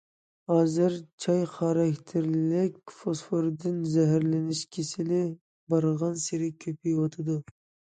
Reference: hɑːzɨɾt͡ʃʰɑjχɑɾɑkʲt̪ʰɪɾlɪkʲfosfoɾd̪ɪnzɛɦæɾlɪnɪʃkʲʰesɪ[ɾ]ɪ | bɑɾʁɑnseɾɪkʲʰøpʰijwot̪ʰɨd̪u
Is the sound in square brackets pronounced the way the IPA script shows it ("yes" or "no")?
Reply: no